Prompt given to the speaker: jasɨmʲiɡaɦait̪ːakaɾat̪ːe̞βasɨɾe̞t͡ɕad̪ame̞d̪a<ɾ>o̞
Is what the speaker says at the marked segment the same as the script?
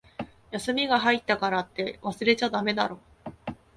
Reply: yes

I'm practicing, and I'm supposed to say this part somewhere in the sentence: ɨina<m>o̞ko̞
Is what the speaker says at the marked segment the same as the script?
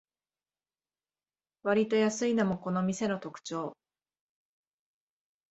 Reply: yes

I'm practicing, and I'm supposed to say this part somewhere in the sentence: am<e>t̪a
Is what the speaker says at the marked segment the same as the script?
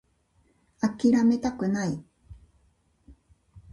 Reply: yes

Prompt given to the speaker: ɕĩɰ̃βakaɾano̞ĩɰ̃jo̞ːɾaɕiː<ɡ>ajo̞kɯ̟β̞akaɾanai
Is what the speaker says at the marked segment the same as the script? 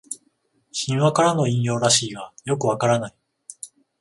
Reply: yes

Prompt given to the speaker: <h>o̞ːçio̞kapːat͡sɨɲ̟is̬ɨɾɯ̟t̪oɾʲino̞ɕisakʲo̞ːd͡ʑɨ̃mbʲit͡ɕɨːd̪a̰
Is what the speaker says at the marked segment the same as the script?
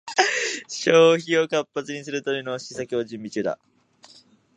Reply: no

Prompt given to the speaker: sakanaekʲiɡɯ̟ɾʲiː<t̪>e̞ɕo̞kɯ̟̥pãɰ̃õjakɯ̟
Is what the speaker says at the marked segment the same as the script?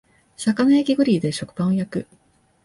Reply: no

